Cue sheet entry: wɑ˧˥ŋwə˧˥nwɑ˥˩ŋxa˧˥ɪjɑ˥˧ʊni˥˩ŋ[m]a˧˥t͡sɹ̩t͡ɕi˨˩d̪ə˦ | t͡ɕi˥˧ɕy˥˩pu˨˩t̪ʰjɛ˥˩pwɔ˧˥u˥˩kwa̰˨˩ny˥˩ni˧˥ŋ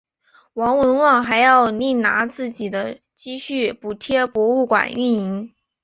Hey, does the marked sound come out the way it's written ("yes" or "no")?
no